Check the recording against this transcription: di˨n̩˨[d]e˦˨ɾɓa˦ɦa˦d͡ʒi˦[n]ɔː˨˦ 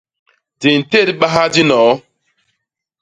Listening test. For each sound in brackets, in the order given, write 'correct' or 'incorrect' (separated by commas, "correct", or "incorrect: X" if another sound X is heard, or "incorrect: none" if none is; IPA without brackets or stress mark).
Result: incorrect: t, correct